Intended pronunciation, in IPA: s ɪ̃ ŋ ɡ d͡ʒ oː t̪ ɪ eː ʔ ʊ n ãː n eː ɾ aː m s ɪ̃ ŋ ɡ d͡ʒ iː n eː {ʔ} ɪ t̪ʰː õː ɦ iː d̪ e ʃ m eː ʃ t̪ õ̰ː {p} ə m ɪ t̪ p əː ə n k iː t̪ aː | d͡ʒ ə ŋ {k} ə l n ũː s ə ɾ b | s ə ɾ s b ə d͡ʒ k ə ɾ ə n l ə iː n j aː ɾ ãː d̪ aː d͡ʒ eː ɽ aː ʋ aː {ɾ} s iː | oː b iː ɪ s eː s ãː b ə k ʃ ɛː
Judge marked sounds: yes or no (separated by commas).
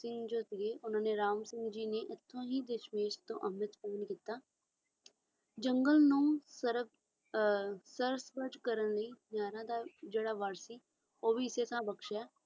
yes, no, no, yes